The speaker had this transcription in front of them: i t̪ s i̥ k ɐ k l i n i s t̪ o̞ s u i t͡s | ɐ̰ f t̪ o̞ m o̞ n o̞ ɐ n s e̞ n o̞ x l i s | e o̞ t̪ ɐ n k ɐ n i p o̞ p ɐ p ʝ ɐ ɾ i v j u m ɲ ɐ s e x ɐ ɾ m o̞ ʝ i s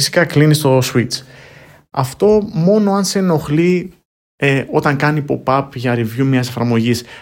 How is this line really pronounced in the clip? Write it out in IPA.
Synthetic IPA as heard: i s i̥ k ɐ k l i n i s t̪ o̞ s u i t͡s | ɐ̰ f t̪ o̞ m o̞ n o̞ ɐ n s e̞ n o̞ x l i | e o̞ t̪ ɐ ŋ k ɐ n i p o̞ p ɐ p ʝ ɐ ɾ i v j u m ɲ ɐ s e f ɐ ɾ m o̞ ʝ i s